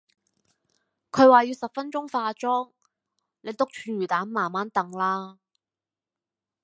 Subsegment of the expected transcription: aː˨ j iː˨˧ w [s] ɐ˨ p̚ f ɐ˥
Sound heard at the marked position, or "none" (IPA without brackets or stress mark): s